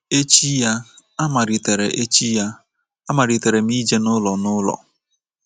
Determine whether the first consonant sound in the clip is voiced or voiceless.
voiceless